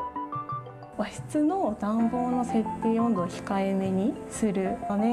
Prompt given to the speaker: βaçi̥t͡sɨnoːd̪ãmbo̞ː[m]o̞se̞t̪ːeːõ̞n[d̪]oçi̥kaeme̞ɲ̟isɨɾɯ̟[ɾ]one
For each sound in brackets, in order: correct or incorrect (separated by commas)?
incorrect, correct, incorrect